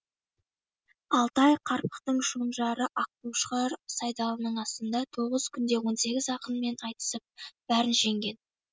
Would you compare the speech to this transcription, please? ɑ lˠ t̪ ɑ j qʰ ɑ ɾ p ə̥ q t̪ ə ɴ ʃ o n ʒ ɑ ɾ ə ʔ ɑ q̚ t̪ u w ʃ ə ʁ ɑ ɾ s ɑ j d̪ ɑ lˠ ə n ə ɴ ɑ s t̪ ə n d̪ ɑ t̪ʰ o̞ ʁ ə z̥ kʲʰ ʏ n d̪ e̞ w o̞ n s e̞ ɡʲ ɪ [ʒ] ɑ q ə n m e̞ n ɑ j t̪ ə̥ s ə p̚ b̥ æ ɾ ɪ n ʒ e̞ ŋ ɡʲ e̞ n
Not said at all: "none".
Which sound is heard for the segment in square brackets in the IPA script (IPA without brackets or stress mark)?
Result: z